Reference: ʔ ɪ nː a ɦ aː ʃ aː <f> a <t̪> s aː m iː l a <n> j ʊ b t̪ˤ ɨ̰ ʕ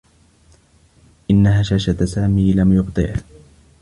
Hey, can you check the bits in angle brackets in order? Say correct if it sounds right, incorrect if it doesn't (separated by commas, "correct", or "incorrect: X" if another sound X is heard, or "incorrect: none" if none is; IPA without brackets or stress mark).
incorrect: ʃ, correct, incorrect: m